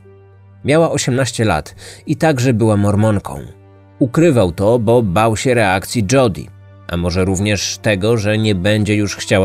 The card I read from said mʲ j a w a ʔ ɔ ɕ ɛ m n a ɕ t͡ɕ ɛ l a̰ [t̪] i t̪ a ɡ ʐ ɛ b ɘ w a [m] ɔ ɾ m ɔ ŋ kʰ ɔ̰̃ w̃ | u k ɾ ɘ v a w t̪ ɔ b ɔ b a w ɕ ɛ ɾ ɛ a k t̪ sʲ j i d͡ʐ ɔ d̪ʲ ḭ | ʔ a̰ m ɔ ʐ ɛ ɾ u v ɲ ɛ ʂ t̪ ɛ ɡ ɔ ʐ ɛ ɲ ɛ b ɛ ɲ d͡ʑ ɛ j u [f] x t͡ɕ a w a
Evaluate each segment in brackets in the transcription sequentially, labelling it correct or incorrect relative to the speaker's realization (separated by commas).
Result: correct, correct, incorrect